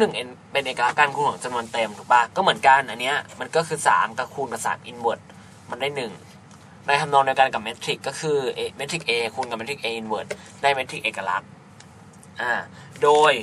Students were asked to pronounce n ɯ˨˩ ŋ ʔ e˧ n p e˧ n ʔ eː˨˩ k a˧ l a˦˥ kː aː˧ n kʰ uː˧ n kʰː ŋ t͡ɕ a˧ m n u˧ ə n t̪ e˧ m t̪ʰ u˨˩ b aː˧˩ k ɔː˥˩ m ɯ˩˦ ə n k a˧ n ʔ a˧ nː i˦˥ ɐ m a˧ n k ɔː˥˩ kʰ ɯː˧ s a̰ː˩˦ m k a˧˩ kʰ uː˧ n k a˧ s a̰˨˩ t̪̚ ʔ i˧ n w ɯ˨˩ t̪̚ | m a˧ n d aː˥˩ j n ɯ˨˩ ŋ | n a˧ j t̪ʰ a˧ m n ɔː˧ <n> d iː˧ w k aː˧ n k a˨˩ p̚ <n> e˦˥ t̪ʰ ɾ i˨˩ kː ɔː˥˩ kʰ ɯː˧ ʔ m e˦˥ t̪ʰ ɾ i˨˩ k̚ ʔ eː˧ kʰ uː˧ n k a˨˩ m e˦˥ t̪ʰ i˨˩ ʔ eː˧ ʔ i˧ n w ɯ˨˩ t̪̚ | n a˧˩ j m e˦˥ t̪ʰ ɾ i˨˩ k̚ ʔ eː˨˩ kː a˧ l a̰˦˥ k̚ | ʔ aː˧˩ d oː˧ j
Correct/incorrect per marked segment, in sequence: incorrect: ŋ, incorrect: m

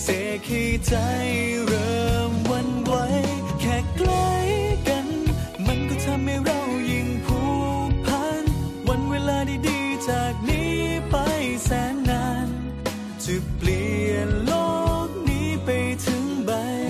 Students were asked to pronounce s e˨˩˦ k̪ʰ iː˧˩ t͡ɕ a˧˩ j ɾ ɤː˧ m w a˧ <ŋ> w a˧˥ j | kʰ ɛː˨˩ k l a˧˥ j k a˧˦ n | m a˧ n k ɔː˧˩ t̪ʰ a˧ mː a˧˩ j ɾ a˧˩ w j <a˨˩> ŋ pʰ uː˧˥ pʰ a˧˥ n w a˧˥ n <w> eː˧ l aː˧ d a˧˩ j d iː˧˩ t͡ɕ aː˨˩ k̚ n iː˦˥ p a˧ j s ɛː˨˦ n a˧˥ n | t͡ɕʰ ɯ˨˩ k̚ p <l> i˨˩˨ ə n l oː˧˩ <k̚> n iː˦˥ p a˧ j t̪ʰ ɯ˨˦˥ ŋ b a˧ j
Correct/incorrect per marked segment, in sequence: incorrect: n, incorrect: i˨˩, correct, correct, correct

